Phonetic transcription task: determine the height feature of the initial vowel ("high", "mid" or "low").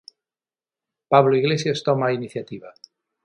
low